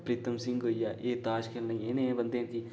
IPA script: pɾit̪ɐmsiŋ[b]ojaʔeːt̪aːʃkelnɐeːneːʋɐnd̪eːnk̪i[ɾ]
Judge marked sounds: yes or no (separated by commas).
no, no